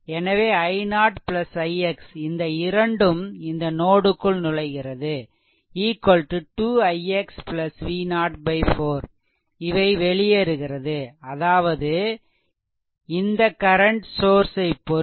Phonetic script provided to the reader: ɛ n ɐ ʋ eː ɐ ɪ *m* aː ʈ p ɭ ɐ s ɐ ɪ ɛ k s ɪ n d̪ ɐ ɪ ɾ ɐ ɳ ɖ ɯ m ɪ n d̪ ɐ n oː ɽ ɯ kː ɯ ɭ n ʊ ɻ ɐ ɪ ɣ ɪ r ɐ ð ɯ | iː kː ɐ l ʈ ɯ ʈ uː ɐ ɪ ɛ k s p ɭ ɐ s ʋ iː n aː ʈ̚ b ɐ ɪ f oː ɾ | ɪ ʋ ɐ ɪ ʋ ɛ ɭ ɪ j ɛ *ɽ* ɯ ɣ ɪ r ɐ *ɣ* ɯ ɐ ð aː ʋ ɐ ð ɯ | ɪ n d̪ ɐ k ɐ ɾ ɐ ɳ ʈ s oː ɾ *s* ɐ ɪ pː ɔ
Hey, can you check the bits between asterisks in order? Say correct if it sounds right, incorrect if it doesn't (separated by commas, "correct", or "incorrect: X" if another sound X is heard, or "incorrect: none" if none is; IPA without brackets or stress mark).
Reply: incorrect: n, incorrect: ɾ, incorrect: ð, correct